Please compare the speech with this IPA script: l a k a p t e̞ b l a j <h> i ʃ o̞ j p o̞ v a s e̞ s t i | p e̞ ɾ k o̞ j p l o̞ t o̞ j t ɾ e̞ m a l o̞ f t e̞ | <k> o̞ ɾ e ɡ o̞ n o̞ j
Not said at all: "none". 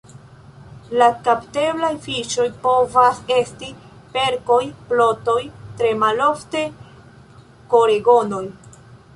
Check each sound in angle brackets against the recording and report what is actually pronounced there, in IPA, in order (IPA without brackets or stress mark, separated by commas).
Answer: f, k